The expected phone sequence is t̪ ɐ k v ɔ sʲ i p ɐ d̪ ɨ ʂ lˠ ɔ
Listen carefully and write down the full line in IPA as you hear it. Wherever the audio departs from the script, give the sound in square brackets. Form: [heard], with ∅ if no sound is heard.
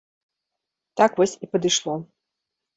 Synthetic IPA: t̪ [a] k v ɔ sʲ i p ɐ d̪ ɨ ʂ lˠ ɔ